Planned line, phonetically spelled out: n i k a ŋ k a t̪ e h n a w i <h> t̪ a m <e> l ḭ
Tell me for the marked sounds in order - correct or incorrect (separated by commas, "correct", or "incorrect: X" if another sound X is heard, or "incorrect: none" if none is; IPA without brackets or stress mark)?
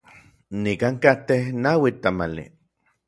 incorrect: none, incorrect: a